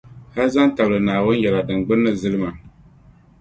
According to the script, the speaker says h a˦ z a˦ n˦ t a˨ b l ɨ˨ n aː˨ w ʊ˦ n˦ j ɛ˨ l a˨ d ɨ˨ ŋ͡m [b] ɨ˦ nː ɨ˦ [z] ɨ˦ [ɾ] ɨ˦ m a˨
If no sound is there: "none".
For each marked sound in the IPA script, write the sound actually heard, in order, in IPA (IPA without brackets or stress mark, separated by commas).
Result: ɡ͡b, z, l